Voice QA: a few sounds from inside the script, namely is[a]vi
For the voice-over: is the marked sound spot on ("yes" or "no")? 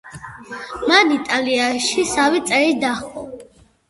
yes